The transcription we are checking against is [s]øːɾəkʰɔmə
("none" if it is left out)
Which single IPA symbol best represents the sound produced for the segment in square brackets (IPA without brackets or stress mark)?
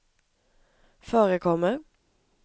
f